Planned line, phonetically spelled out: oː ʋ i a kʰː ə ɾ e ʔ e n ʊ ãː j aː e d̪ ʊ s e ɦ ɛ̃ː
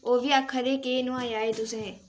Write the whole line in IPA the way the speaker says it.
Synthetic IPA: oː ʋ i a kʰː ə ɾ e k e n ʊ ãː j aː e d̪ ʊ s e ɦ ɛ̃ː

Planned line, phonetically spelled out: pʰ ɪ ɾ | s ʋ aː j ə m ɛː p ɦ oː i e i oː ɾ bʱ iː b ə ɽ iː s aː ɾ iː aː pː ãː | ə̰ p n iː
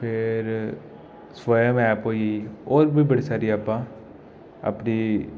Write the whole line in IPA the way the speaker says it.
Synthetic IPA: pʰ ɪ ɾ | s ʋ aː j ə m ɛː p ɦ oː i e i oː ɾ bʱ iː b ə ɽ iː s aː ɾ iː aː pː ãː | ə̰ p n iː

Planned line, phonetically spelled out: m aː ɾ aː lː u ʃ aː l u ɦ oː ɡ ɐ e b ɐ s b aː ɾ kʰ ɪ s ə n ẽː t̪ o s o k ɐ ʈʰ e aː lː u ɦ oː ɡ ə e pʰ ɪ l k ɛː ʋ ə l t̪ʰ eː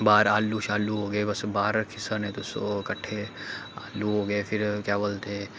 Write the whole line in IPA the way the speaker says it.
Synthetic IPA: b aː ɾ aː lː u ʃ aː l u ɦ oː ɡ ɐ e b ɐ s b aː ɾ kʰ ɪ s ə n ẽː t̪ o s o k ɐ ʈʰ e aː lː u ɦ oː ɡ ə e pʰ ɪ ɾ k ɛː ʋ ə l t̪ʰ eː

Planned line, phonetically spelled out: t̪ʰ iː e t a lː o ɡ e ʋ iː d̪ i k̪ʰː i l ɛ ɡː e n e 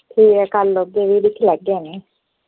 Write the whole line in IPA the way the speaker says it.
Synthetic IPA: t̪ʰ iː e k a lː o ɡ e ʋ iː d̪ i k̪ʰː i l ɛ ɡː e n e

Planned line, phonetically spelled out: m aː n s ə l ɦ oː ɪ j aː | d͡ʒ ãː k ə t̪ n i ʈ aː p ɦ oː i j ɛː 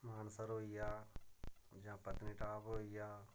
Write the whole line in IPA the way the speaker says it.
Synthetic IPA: m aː n s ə ɾ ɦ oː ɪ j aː | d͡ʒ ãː p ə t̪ n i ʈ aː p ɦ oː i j aː

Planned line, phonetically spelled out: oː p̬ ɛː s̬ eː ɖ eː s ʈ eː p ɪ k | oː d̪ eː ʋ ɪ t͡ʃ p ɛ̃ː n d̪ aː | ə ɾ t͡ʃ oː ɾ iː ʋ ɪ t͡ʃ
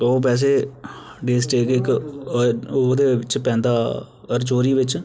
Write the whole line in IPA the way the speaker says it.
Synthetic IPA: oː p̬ ɛː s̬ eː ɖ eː s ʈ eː k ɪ k | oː d̪ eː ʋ ɪ t͡ʃ p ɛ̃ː n d̪ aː | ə ɾ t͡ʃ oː ɾ iː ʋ ɪ t͡ʃ

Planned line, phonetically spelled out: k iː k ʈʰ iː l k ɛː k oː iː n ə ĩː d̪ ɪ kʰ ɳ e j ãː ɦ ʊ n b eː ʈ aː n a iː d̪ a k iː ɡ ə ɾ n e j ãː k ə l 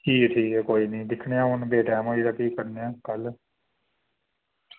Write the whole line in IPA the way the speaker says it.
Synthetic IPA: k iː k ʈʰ iː k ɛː k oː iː n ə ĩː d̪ ɪ kʰ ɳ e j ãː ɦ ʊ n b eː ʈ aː m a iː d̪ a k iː k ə ɾ n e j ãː k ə l

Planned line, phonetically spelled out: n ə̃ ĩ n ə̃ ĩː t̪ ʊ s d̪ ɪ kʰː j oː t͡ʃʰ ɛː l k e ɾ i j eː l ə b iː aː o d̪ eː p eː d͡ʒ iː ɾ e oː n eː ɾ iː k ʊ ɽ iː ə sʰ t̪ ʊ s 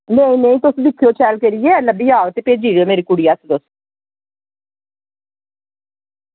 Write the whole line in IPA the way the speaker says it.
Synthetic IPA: n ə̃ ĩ n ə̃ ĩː t̪ ʊ s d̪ ɪ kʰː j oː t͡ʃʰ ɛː l k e ɾ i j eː l ə b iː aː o t̪ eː p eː d͡ʒ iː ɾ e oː m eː ɾ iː k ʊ ɽ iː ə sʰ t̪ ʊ s

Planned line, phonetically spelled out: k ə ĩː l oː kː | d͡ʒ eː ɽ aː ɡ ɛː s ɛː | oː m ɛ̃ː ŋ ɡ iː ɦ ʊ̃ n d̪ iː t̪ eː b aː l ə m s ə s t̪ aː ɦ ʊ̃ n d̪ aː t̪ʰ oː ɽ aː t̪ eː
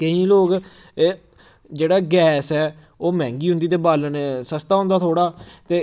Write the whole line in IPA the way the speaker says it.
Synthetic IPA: k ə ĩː l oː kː | d͡ʒ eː ɽ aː ɡ ɛː s ɛː | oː m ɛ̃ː ŋ ɡ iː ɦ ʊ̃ n d̪ iː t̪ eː b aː l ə n s ə s t̪ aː ɦ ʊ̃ n d̪ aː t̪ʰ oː ɽ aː t̪ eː

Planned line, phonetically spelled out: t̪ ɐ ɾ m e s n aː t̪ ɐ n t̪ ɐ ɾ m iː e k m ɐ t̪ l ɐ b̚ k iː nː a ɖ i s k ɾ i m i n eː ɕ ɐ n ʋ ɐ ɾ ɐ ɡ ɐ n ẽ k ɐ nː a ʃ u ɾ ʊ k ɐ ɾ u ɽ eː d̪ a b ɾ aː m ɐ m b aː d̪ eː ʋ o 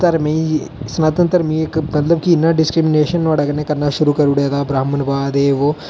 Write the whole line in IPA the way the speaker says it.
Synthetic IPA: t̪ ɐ ɾ m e s n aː t̪ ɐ n t̪ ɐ ɾ m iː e k m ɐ t̪ l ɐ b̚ k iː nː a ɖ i s k ɾ i m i n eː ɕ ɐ n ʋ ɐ ɽ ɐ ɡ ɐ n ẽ k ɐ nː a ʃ u ɾ u k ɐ ɾ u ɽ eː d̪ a b ɾ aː m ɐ n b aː d̪ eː ʋ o

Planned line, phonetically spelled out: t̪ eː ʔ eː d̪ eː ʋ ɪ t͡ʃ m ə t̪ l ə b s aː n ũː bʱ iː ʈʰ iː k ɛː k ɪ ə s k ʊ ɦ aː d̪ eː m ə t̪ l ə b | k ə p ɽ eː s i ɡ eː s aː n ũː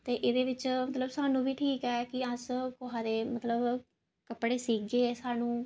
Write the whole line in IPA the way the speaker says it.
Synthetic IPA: t̪ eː ʔ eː d̪ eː ʋ ɪ t͡ʃ m ə t̪ l ə b s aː n ũː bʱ iː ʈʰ iː k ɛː k ɪ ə s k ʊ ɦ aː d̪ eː m ə t̪ l ə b | k ə p ɽ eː s iː ɡ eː s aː n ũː

